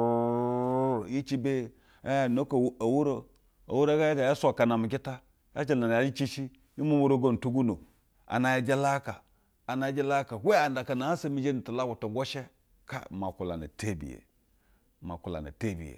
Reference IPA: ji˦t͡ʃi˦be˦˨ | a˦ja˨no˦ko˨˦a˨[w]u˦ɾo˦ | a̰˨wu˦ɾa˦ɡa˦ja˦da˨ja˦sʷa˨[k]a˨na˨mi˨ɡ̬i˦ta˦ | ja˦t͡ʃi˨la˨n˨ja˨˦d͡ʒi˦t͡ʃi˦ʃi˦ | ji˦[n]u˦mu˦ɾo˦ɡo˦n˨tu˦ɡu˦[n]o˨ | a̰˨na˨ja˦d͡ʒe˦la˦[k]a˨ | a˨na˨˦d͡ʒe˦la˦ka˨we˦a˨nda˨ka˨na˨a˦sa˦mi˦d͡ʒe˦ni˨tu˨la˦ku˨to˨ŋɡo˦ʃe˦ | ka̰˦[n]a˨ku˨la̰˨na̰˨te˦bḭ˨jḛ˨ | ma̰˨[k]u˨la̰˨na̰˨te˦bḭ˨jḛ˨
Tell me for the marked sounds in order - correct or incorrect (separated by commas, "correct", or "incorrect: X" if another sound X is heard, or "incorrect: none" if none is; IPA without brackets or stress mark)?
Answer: correct, correct, incorrect: m, correct, correct, incorrect: m, correct